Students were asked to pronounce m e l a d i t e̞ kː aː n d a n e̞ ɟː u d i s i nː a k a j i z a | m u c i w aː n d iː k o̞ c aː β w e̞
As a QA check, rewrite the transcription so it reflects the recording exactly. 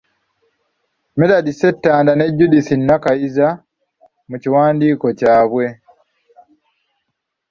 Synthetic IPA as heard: m e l a d i s e̞ tː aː n d a n e̞ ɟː u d i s i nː a k a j i z a | m u c i w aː n d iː k o̞ c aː β w e̞